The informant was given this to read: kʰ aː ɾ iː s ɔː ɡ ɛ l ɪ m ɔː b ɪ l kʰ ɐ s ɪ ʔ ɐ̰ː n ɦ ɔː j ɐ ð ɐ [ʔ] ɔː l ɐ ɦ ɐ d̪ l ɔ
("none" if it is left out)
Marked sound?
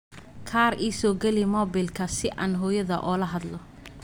ʔ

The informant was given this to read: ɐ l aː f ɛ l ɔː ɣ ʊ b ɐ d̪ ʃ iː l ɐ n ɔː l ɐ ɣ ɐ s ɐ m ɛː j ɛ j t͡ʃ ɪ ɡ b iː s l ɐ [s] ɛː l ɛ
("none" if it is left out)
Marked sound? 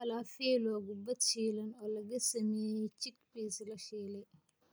ʃ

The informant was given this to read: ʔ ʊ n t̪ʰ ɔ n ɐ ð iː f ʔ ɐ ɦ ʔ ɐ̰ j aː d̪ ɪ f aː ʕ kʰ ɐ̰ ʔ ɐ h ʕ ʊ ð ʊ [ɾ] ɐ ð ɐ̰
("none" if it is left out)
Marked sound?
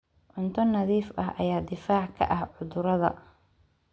ɾ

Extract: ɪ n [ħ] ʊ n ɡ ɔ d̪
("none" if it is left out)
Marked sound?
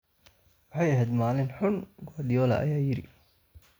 ħ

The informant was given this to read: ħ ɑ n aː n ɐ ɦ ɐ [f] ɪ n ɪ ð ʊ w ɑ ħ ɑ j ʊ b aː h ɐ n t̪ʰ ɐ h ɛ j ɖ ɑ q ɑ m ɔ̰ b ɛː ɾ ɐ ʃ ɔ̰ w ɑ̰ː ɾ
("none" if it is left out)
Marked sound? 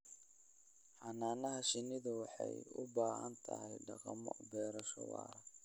ʃ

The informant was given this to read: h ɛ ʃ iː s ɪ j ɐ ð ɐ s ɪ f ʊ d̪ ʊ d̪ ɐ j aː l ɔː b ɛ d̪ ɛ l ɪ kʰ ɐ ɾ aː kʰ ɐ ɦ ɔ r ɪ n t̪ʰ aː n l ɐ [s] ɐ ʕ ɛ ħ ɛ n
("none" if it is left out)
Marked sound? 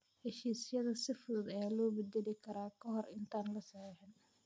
s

